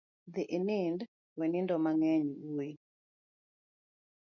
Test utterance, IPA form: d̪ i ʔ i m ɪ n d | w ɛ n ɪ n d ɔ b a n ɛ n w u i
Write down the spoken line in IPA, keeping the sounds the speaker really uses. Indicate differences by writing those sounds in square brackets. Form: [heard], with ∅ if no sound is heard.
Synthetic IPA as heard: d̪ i ʔ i [n] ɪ n d | w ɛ n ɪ n d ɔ [m] a [ŋ] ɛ [ɲ] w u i